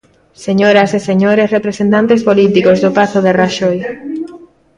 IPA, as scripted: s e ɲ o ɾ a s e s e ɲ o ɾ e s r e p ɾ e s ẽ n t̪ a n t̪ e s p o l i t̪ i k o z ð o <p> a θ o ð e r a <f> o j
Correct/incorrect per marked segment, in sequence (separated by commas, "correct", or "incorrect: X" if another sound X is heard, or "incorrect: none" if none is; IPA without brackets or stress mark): correct, incorrect: ʃ